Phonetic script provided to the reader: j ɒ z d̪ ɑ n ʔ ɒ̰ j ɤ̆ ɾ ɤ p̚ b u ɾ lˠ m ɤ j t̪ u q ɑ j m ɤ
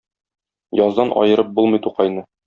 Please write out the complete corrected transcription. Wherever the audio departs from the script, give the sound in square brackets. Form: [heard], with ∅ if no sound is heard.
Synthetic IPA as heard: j ɒ z d̪ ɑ n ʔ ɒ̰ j ɤ̆ ɾ ɤ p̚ b u [∅] lˠ m ɤ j t̪ u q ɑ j [n] ɤ